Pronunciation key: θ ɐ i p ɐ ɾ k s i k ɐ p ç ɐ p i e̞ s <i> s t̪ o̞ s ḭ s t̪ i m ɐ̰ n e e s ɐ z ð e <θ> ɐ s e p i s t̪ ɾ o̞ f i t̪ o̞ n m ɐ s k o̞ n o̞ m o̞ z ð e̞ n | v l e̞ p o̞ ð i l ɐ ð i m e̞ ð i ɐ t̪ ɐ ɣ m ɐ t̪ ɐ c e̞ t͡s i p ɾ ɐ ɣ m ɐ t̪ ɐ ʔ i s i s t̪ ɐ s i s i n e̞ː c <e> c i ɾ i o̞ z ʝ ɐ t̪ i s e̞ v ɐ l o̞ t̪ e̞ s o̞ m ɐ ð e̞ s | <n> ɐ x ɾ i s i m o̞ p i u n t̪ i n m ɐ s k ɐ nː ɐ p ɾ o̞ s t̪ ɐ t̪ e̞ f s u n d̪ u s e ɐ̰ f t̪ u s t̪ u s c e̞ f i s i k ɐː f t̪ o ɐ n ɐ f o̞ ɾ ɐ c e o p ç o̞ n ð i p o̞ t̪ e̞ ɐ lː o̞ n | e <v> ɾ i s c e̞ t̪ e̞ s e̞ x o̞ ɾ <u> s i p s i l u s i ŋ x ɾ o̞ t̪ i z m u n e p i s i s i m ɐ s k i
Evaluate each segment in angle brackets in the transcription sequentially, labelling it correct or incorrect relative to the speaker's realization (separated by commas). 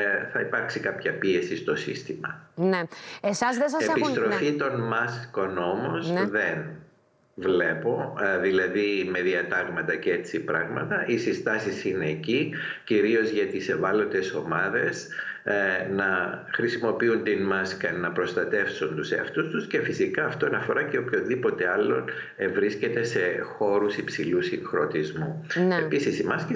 correct, incorrect, incorrect, correct, correct, correct